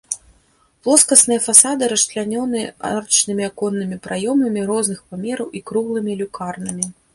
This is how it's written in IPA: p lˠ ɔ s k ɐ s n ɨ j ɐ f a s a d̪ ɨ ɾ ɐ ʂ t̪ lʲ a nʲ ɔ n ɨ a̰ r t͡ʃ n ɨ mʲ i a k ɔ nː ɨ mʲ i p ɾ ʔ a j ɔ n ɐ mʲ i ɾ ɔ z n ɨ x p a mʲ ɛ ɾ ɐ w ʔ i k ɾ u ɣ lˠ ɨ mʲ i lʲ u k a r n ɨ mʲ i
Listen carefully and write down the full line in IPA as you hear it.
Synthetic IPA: p lˠ ɔ s k ɐ s n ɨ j ɐ f a s a d̪ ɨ ɾ ɐ ʂ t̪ lʲ a nʲ ɔ n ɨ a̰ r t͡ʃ n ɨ mʲ i a k ɔ nː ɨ mʲ i p ɾ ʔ a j ɔ m ɐ mʲ i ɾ ɔ z n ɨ x p a mʲ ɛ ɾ ɐ w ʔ i k ɾ u ɣ lˠ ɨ mʲ i lʲ u k a r n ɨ mʲ i